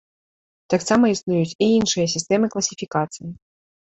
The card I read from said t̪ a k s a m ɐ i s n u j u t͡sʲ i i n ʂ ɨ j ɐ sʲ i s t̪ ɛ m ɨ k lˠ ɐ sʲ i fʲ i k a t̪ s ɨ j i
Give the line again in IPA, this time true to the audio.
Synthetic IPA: t̪ a k s a m ɐ i s n u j u t͡sʲ i i n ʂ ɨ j ɐ sʲ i s t̪ ɛ m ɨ k lˠ ɐ sʲ i fʲ i k a t̪ s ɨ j i